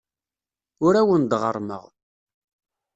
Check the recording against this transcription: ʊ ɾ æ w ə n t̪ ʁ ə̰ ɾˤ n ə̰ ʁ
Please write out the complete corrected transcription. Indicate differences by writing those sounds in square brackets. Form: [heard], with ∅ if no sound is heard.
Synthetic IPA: ʊ ɾ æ w ə n [d̪] ʁ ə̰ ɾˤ [m] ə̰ ʁ